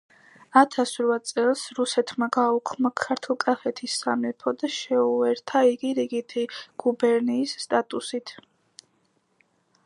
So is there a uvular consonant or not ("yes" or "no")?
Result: no